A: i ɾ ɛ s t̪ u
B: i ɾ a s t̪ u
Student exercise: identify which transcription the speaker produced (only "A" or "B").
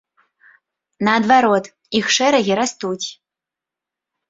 B